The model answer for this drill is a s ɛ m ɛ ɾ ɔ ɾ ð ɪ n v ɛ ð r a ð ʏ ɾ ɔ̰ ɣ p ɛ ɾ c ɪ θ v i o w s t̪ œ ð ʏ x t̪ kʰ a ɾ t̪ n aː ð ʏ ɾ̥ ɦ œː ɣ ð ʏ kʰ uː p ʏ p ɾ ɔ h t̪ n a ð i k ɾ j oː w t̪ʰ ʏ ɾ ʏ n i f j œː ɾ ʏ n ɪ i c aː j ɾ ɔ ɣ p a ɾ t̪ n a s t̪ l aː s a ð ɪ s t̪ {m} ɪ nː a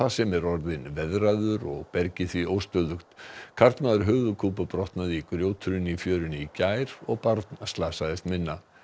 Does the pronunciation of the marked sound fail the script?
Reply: no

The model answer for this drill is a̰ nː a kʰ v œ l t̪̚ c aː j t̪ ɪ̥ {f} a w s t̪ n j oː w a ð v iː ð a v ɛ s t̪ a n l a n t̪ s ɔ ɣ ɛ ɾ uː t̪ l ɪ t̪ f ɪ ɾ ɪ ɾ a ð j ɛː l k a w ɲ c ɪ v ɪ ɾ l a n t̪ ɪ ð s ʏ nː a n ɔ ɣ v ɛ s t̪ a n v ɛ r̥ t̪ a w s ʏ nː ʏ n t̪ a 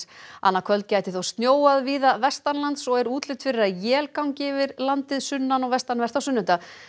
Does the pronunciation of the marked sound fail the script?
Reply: yes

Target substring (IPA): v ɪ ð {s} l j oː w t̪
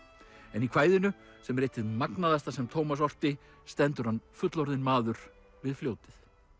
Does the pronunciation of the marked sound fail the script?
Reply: yes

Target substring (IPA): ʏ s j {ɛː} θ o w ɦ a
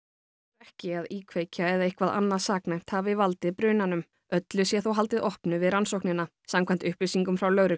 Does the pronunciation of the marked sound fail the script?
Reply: yes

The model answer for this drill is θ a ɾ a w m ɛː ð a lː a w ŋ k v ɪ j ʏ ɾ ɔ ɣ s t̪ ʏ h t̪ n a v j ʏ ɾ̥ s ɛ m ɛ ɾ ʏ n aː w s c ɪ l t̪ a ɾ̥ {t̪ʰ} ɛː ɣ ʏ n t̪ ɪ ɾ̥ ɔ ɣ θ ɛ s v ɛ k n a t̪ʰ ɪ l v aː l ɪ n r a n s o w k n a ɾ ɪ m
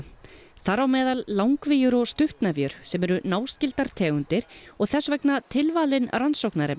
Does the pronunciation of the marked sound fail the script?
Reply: no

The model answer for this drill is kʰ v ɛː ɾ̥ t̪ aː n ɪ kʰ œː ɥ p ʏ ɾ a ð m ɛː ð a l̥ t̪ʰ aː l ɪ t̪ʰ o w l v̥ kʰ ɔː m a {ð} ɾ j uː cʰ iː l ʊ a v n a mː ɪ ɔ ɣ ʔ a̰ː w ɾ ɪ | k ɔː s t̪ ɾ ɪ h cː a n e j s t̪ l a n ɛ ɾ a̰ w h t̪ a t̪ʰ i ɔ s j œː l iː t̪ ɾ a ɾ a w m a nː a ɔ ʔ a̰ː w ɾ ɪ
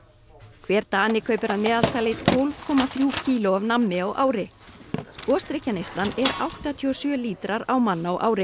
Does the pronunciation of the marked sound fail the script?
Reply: yes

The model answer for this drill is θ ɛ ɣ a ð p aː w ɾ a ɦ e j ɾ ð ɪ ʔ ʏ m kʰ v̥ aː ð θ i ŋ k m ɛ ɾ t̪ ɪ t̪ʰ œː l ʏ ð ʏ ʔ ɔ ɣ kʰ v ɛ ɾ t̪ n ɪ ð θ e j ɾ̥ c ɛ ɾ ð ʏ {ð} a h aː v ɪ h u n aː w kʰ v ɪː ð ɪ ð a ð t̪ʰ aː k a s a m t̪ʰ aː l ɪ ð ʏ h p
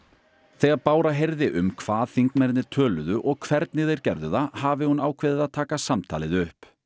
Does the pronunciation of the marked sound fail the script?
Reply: no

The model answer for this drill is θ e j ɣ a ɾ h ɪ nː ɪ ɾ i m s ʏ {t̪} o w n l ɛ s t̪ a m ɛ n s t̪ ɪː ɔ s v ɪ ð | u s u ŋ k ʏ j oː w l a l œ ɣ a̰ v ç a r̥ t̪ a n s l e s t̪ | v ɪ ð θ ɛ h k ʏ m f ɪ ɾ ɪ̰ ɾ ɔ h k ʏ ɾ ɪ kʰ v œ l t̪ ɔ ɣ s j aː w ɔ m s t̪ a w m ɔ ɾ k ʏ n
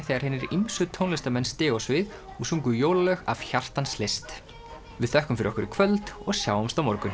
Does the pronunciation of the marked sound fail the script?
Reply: yes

